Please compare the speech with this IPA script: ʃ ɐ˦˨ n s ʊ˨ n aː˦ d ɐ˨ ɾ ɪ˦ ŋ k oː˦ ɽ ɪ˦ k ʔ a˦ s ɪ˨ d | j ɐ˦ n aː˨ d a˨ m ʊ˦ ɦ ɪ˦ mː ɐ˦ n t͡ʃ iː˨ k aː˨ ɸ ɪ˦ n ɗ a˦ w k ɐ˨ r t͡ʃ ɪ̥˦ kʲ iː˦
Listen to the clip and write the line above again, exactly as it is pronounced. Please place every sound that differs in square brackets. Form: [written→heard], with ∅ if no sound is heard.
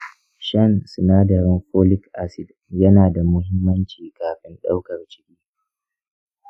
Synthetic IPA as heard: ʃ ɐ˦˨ n s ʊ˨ n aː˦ d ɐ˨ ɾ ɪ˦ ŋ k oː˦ [ɽ→l] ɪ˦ k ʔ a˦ s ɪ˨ d | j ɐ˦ n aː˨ d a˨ m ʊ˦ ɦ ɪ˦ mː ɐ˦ n t͡ʃ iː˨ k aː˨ ɸ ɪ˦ n ɗ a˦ w k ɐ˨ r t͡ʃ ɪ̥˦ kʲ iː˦